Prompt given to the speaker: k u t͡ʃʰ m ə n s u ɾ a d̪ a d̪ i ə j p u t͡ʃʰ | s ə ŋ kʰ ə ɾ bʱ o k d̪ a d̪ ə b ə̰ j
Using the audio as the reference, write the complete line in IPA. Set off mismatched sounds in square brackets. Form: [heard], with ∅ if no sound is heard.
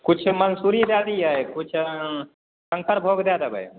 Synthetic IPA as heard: k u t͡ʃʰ m ə n s u ɾ [i] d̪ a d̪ i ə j [k] u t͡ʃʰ | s ə ŋ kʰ ə ɾ bʱ o [ɡ] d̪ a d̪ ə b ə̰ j